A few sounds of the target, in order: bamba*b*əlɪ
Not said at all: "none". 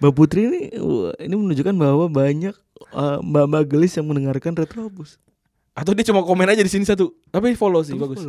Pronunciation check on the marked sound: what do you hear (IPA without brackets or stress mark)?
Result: ɡ